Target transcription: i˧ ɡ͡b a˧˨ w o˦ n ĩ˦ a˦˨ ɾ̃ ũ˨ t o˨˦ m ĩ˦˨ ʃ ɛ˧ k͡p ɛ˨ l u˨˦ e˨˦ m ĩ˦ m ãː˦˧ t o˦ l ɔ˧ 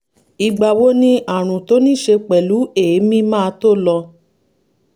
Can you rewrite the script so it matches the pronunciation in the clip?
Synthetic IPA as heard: i˧ ɡ͡b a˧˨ w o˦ n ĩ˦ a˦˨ ɾ̃ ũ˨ t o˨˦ n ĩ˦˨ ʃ e˧ k͡p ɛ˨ l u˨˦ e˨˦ m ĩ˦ m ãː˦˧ t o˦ l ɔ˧

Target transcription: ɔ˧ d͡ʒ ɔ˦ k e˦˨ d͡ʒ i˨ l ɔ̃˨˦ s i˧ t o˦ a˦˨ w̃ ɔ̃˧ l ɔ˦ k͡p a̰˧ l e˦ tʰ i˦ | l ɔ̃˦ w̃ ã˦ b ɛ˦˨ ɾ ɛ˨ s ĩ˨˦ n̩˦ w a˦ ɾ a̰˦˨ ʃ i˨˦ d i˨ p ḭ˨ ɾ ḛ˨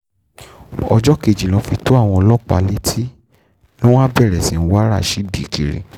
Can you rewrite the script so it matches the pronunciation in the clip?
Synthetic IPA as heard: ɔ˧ d͡ʒ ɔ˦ k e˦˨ d͡ʒ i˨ l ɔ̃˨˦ f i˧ t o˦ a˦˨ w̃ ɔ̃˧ l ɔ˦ k͡p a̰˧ l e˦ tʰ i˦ | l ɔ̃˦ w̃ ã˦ b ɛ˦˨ ɾ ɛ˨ s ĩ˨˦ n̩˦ w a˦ ɾ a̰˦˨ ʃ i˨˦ d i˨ k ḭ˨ ɾ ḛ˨

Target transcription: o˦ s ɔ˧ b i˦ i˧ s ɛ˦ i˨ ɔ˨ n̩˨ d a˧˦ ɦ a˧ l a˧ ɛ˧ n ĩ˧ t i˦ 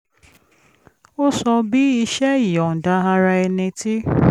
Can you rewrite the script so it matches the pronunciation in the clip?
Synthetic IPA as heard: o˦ s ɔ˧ b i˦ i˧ ʃ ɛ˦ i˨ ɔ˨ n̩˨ d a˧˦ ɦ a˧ ɾ a˧ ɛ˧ n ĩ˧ t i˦

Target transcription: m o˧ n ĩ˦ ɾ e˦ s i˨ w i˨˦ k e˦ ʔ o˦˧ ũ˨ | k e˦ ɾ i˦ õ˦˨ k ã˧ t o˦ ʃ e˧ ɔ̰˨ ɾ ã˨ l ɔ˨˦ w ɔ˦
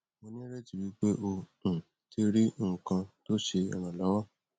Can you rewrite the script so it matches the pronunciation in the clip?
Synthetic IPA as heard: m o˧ n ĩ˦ ɾ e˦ t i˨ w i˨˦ k͡p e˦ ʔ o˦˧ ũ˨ | t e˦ ɾ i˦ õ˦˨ k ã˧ t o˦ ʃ e˧ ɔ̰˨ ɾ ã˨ l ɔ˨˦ w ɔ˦

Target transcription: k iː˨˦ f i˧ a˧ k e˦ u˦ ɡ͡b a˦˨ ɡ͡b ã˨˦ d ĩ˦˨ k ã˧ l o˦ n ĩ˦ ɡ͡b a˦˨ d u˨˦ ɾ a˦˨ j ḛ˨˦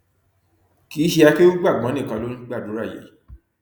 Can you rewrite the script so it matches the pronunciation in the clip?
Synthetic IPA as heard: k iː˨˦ ʃ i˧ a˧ k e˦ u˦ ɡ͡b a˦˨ ɡ͡b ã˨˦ n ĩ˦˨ k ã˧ l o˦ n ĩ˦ ɡ͡b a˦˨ d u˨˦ ɾ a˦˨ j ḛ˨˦

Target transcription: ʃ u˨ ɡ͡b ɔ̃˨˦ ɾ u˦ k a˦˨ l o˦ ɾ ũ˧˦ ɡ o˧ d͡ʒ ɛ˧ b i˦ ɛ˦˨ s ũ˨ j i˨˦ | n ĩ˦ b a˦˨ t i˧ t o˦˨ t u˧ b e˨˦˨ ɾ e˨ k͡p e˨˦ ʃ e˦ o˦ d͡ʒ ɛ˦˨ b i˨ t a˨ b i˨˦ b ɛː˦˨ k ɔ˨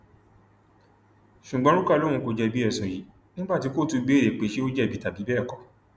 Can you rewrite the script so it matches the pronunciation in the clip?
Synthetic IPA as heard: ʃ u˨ ɡ͡b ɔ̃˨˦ ɾ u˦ k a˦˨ l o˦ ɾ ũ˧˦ k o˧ d͡ʒ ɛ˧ b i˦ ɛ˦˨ s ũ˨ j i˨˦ | n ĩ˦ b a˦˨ t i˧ k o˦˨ t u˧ b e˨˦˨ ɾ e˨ k͡p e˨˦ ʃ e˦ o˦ d͡ʒ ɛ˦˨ b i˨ t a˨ b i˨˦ b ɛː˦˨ k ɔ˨

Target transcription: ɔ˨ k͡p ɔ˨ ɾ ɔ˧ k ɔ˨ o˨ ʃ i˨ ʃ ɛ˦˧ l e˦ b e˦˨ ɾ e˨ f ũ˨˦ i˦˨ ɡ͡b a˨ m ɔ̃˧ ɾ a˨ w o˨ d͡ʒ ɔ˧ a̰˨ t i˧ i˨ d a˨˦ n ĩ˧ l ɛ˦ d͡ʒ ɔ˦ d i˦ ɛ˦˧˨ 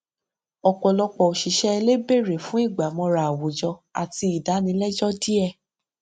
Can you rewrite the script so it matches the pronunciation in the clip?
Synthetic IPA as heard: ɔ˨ k͡p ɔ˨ l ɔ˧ k͡p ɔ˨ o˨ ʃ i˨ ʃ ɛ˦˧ l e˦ b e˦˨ ɾ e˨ f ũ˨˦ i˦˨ ɡ͡b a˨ m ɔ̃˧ ɾ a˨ w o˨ d͡ʒ ɔ˧ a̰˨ t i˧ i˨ d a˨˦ n ĩ˧ l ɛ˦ d͡ʒ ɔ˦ d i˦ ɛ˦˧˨

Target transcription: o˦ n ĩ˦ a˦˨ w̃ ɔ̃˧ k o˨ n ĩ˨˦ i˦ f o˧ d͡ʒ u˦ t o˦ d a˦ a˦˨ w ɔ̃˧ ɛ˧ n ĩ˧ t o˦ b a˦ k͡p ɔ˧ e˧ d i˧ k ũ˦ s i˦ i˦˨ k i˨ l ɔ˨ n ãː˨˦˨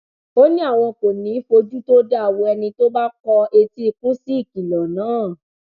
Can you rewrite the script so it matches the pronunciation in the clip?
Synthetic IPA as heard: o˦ n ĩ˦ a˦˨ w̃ ɔ̃˧ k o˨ n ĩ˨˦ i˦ f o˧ d͡ʒ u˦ t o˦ d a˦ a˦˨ w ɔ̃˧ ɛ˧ n ĩ˧ t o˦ b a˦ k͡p ɔ˧ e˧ t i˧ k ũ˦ s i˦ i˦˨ k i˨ l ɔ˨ n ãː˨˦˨

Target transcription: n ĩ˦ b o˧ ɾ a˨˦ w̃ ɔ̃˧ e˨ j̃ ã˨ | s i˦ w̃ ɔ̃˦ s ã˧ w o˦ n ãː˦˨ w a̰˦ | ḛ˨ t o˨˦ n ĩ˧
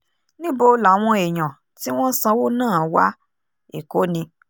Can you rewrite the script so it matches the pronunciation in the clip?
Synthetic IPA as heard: n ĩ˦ b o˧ l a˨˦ w̃ ɔ̃˧ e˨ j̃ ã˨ | t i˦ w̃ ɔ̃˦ s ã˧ w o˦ n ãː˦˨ w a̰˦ | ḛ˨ k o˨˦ n ĩ˧

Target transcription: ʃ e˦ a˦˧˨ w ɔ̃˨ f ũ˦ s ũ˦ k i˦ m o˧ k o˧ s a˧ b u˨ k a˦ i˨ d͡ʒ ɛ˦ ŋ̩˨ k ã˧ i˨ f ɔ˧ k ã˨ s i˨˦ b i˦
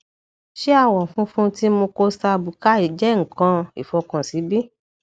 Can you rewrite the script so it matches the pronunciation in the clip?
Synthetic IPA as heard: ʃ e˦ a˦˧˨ w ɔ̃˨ f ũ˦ f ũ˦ t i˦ m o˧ k o˧ s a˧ b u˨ k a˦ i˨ d͡ʒ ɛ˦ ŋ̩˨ k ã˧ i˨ f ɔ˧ k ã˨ s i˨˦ b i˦

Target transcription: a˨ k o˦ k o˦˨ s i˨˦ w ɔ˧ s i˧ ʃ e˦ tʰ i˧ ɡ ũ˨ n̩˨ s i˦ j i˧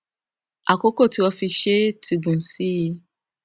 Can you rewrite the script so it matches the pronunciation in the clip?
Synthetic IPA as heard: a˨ k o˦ k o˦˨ t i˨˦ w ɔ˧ f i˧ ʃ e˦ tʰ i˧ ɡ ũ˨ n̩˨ s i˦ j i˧

